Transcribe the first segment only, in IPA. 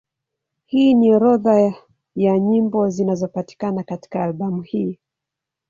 h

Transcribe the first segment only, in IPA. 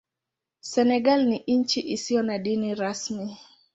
s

